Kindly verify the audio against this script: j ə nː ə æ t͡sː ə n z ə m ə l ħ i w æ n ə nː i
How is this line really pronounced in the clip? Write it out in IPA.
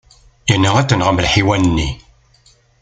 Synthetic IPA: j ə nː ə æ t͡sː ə n ʁ ə m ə l ħ i w æ n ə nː i